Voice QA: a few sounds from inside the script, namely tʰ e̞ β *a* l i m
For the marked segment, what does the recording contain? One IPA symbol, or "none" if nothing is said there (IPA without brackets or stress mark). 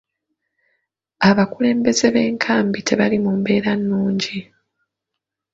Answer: a